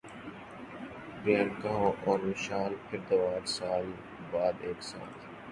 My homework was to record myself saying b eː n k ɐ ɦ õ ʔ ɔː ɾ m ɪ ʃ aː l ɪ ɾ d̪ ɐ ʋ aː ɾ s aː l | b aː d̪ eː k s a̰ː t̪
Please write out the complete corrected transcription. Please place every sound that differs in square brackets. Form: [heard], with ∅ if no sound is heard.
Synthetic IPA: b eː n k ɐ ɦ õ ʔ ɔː ɾ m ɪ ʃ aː l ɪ ɾ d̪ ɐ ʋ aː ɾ s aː l | b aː d̪ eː k s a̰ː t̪